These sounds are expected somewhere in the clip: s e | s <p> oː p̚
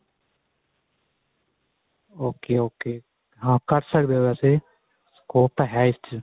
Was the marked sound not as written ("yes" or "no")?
yes